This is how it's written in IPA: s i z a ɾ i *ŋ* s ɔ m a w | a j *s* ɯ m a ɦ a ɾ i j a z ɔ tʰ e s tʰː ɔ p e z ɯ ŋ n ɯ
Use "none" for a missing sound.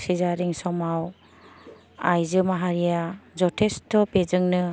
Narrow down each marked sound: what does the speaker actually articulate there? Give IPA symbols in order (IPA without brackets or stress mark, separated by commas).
ŋ, z